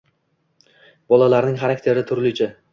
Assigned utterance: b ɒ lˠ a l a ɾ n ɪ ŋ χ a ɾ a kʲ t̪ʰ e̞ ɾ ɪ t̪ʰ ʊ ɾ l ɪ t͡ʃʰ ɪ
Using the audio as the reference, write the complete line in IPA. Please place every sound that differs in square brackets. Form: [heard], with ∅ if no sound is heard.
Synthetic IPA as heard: b ɒ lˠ a l a ɾ n ɪ ŋ χ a ɾ a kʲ t̪ʰ e̞ ɾ ɪ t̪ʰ ʊ ɾ l ɪ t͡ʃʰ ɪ